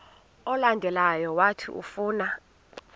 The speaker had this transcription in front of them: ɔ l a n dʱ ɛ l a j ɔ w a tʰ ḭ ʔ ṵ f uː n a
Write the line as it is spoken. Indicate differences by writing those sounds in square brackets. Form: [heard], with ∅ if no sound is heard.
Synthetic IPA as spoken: ɔ l a n dʱ ɛ l a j ɔ w a tʰ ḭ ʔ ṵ f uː n a